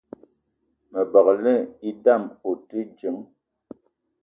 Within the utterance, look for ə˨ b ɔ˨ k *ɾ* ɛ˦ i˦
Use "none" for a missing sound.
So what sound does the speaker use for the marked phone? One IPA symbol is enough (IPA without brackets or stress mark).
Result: l